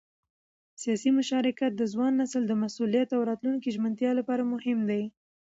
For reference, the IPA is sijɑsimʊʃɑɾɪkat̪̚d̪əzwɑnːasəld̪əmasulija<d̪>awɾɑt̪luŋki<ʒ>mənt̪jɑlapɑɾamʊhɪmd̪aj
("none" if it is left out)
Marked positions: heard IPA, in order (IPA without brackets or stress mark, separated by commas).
t̪, ʒ